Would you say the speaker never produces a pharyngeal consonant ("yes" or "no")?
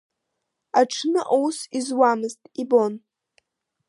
yes